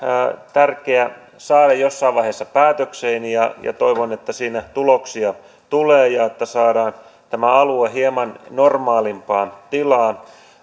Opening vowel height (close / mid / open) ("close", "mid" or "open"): open